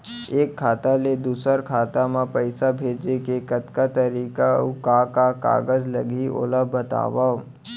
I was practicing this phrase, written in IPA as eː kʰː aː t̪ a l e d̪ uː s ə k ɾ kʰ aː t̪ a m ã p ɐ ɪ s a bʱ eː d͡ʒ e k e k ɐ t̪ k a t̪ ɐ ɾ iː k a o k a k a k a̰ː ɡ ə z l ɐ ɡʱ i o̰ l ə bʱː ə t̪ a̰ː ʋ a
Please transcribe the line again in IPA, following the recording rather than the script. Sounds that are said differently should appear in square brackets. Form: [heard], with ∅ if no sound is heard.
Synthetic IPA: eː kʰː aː t̪ a l e d̪ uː s ə [∅] ɾ kʰ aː t̪ a m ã p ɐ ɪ s a bʱ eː d͡ʒ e k e k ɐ t̪ k a t̪ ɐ ɾ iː k a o k a k a k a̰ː ɡ ə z l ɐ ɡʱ i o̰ l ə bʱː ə t̪ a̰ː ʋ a